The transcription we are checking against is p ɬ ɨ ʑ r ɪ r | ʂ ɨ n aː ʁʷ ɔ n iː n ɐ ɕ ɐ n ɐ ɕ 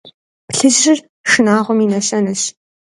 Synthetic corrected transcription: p ɬ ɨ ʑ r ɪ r | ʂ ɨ n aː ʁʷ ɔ m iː n ɐ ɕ ɐ n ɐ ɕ